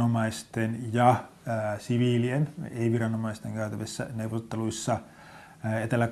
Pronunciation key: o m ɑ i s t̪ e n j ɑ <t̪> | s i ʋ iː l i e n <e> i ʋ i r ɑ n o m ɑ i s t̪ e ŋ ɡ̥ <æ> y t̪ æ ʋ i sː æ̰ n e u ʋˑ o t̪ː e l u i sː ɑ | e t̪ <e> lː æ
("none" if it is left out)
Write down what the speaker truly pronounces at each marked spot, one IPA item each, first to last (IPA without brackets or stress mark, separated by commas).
none, e, æ, e